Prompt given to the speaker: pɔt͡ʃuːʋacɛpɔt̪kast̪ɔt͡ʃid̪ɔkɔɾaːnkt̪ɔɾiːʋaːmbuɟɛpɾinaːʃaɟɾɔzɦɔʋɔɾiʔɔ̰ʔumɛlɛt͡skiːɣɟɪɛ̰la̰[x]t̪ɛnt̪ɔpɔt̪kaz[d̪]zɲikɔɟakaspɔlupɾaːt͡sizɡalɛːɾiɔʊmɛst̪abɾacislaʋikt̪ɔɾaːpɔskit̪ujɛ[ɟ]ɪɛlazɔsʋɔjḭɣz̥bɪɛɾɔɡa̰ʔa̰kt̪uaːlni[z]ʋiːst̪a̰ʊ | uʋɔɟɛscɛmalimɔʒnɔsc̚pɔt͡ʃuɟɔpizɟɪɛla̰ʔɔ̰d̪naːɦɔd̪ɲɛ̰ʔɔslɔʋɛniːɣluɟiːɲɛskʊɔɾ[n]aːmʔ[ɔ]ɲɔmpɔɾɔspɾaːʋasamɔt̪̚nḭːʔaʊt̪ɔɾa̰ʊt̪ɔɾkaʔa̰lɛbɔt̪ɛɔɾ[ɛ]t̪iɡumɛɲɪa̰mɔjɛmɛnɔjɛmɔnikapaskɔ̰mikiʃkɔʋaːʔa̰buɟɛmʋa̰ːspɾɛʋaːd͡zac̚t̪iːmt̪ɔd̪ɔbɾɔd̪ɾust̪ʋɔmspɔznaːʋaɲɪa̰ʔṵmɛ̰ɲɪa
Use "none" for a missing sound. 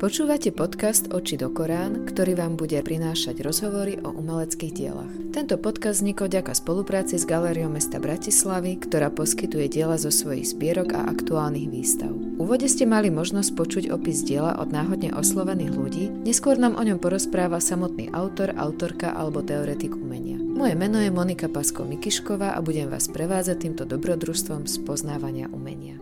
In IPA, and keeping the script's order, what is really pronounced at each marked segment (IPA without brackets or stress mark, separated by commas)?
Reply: x, d̪, ɟ, ɣ, n, ɔ, ɛ